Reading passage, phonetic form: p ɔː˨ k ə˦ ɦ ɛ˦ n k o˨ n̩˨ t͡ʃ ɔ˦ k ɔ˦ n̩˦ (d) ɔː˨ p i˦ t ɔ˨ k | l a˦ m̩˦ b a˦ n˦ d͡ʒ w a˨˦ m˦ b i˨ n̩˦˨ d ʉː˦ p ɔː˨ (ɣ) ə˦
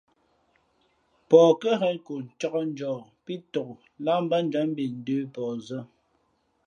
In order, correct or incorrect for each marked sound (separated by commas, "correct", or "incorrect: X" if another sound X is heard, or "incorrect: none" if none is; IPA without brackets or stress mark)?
incorrect: d͡ʒ, incorrect: z